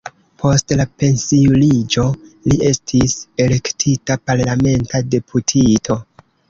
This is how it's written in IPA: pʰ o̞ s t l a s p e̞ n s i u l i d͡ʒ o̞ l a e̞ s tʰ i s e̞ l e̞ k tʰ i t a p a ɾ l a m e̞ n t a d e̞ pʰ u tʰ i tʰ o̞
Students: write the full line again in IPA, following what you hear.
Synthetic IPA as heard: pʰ o̞ s t l a p e̞ n s i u l i d͡ʒ o̞ l i e̞ s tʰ i s e̞ l e̞ k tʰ i t a p a ɾ l a m e̞ n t a d e̞ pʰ u tʰ i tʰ o̞